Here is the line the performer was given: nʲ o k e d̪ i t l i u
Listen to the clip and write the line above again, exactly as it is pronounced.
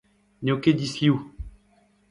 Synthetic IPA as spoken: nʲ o k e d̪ i s l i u

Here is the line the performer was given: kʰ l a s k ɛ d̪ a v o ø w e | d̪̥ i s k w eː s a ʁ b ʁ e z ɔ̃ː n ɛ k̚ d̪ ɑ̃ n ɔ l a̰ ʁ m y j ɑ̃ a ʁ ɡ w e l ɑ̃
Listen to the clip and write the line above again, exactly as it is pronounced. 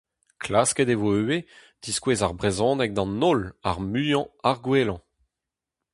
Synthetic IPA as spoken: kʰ l a s k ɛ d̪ e v o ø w e | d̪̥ i s k w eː z a ʁ b ʁ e z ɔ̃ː n ɛ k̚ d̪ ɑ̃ n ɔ l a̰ ʁ m y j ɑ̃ a ʁ ɡ w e l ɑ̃

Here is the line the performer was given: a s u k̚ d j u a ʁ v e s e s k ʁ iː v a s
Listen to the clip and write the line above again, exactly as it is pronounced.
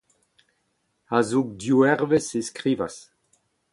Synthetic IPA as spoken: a z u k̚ d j u ɛ ʁ v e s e s k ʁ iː v a s

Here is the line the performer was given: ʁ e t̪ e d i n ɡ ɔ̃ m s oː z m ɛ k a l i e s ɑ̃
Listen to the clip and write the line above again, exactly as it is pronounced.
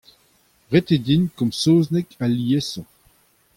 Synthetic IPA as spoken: ʁ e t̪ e d i n k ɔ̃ m s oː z n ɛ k a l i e s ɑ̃

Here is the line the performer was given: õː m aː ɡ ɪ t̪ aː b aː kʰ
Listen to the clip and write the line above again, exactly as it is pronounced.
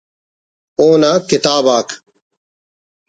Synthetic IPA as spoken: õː n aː k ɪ t̪ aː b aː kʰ

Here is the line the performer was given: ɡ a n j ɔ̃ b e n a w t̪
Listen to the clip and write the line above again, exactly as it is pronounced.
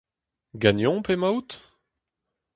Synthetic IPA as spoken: ɡ a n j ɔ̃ p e m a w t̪

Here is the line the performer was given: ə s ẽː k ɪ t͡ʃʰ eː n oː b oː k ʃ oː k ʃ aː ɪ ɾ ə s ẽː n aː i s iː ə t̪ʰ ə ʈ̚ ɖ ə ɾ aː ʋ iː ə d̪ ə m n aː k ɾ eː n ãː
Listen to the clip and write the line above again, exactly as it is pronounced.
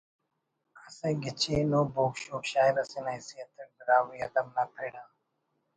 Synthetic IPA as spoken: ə s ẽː ɡ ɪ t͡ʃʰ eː n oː b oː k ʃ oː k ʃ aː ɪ ɾ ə s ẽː n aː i s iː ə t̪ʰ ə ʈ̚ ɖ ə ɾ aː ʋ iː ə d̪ ə m n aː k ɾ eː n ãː

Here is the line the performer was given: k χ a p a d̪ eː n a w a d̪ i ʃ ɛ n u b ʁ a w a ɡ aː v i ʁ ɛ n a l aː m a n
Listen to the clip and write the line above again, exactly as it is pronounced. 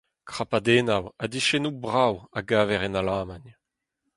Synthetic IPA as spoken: k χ a p a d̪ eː n a w a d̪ i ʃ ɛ n u b ʁ a w a ɡ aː v ɛ ʁ ɛ n a l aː m a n

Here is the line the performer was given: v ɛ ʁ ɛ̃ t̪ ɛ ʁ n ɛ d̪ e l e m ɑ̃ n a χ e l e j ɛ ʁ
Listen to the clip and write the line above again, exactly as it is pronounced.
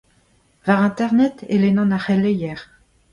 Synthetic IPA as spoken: v a ʁ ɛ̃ t̪ ɛ ʁ n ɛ t̪ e l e n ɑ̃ n a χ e l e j ɛ ʁ

